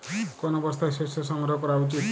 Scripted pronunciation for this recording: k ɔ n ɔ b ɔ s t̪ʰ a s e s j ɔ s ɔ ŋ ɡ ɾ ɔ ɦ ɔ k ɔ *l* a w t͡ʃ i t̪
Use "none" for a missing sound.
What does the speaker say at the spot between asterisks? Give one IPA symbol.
ɾ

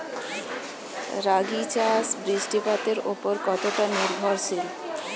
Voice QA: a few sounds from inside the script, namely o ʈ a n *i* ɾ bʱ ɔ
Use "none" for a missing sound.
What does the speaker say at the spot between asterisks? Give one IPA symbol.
i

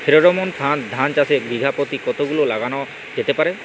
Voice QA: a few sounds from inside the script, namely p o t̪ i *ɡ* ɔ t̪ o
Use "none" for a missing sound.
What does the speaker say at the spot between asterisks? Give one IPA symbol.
k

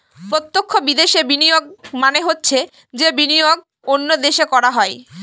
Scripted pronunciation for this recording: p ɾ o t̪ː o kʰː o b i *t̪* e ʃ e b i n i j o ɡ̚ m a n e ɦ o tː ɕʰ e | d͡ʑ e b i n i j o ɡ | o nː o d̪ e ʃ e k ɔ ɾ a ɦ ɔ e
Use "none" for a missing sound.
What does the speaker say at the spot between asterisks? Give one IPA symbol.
d̪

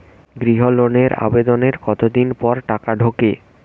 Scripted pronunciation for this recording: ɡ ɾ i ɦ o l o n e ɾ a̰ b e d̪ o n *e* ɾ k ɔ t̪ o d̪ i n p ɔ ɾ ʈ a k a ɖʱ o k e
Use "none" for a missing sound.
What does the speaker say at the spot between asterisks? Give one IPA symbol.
e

